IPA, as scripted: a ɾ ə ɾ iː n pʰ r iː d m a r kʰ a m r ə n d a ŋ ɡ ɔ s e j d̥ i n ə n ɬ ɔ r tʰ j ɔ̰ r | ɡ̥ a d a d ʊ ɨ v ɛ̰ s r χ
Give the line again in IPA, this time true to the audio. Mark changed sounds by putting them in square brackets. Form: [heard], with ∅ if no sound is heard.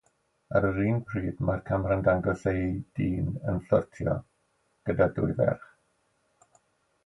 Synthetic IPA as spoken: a ɾ ə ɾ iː n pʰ r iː d m a r kʰ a m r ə n d a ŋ ɡ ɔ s e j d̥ [iː] n ə n ɬ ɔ r tʰ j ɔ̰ [∅] | ɡ̥ [ə] d a d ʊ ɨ v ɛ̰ [∅] r χ

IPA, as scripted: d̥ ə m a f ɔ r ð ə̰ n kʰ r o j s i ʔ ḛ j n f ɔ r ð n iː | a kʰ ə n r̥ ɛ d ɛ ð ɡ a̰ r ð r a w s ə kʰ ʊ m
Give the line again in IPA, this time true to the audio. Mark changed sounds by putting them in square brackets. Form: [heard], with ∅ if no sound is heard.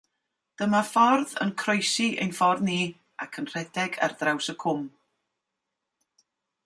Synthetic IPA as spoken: d̥ ə m a f ɔ r ð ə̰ n kʰ r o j s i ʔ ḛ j n f ɔ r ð n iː | a kʰ ə n r̥ ɛ d ɛ [∅] ɡ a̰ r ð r a w s ə kʰ ʊ m

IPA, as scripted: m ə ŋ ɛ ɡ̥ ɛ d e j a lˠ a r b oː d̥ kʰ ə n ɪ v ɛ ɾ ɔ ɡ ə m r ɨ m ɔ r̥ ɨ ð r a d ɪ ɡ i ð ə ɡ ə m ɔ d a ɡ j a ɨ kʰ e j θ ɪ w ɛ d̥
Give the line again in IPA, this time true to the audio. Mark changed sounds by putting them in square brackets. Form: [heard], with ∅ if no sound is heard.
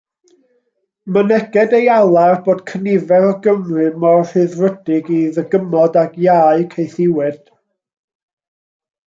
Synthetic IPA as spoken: m ə [n] ɛ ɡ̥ ɛ d e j a lˠ a r b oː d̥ kʰ ə n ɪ v ɛ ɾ ɔ ɡ ə m r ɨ m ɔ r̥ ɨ ð r [ə] d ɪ ɡ i ð ə ɡ ə m ɔ d a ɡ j a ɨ kʰ e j θ ɪ w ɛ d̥

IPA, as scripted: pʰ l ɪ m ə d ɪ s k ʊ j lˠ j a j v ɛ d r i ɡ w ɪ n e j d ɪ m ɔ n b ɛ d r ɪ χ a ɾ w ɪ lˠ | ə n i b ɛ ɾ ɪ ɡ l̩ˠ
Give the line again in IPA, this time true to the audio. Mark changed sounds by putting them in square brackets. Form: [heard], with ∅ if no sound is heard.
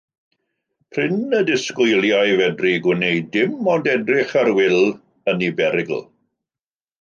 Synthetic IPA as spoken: pʰ [r] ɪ [n] ə d ɪ s k ʊ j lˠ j a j v ɛ d r i ɡ w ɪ n e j d ɪ m ɔ n [d] ɛ d r ɪ χ a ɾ w ɪ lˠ | ə n i b ɛ ɾ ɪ ɡ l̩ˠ

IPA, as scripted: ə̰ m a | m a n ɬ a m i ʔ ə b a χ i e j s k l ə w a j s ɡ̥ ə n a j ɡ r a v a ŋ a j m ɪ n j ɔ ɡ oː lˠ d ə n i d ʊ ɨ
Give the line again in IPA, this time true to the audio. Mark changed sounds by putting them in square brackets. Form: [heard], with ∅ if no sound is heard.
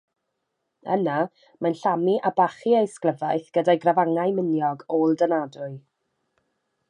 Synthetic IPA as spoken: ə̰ [n] a | m a n ɬ a m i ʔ [a] b a χ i e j s k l ə [v] a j [θ] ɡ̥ ə [d] a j ɡ r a v a ŋ a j m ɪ n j ɔ ɡ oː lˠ d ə n [a] d ʊ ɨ

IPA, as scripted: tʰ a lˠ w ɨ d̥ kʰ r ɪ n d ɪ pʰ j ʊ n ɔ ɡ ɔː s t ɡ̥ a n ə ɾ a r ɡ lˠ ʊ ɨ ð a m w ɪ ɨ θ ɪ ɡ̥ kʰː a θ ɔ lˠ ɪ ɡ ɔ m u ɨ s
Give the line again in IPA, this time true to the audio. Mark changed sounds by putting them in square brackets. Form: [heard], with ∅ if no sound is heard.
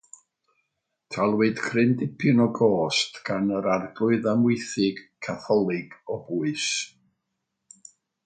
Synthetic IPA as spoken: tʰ a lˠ w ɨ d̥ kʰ r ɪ n d ɪ pʰ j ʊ n ɔ ɡ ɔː s t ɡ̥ a n ə ɾ a r ɡ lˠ ʊ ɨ ð a m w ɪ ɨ θ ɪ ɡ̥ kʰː a θ ɔ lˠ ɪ ɡ ɔ [b] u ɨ s

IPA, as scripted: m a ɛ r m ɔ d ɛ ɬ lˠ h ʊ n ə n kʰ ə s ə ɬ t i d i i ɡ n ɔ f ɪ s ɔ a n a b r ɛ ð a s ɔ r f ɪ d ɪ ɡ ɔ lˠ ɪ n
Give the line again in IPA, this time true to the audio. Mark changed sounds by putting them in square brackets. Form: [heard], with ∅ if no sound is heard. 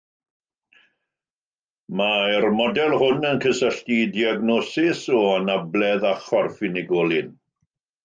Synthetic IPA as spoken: m a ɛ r m ɔ d ɛ [∅] lˠ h ʊ n ə n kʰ ə s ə ɬ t i d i [a] ɡ n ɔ [s] ɪ s ɔ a n a b [l] ɛ ð a [χ] ɔ r f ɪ [n] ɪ ɡ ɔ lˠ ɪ n

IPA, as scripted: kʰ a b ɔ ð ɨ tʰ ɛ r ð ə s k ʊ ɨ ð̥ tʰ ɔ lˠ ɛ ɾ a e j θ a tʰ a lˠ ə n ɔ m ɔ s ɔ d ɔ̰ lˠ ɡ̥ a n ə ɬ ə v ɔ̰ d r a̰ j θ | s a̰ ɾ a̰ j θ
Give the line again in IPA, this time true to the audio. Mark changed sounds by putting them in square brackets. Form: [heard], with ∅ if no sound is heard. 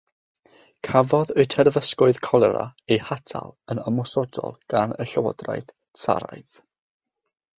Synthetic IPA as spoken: kʰ a [v] ɔ ð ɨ tʰ ɛ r [v] ə s k ʊ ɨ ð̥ [kʰ] ɔ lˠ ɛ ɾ a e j [h] a tʰ a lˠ ə n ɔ m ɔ s ɔ d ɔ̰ lˠ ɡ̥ a n ə ɬ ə [w] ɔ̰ d r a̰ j θ | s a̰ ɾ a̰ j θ

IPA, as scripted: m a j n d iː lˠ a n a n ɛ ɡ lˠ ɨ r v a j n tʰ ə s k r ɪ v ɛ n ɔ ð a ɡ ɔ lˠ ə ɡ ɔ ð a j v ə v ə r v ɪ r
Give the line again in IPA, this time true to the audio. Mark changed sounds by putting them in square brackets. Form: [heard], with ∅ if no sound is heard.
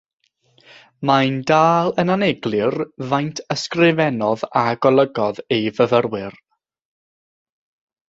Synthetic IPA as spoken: m a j n d [aː] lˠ [ə] n a n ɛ ɡ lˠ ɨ r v a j n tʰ ə s k r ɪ v ɛ n ɔ ð a ɡ ɔ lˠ ə ɡ ɔ ð [e] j v ə v ə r [w] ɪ r

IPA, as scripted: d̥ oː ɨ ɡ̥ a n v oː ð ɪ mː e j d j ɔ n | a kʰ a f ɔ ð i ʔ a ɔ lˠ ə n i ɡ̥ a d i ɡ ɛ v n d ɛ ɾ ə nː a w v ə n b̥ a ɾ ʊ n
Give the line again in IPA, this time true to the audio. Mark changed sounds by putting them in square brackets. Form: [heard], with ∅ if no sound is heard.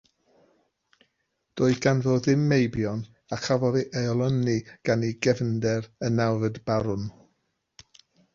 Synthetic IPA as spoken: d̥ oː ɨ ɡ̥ a n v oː ð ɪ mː e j [b] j ɔ n | a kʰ a [v] ɔ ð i ʔ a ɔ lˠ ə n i ɡ̥ a [n] i ɡ ɛ v n d ɛ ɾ ə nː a w v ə [d] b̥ a ɾ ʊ n

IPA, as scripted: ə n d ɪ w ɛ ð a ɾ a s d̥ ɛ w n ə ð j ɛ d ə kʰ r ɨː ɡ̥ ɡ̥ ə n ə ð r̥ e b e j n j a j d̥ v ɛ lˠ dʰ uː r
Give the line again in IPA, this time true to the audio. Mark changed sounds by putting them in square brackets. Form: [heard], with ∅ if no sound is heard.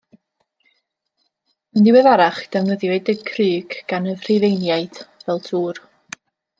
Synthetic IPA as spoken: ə n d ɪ w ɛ ð a ɾ a [χ] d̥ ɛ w n ə ð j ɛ d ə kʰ r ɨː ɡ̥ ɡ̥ [a] n ə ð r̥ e [v] e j n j a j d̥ v ɛ lˠ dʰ uː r

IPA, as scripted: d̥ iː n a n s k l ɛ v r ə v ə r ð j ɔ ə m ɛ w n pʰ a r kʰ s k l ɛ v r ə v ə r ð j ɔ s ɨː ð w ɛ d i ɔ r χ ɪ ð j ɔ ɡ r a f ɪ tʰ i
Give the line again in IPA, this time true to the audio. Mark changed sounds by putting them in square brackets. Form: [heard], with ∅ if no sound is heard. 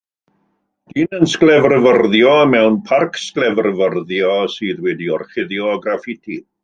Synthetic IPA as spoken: d̥ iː n [ə] n s k l ɛ v r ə v ə r ð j ɔ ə m ɛ w n pʰ a r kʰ s k l ɛ v r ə v ə r ð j ɔ s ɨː ð w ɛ d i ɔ r χ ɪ ð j ɔ ɡ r a f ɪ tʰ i

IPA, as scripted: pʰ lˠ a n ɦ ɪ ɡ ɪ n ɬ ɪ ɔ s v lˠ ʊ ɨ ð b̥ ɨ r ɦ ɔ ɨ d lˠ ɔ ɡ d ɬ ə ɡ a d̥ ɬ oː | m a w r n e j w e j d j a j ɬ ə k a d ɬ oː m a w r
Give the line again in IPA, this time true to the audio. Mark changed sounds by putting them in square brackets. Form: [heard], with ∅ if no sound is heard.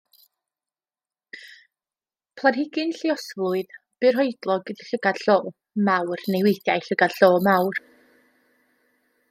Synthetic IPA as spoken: pʰ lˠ a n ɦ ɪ ɡ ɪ n ɬ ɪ ɔ s v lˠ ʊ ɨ ð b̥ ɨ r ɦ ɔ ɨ d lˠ ɔ ɡ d ɬ ə ɡ a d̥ ɬ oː | m a w r n e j w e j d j a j ɬ ə [ɡ] a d ɬ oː m a w r

